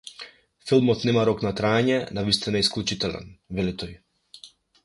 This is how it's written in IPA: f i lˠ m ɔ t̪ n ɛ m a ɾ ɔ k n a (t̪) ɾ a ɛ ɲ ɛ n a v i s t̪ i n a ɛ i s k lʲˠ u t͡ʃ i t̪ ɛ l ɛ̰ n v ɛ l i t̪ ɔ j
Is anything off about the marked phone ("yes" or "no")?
no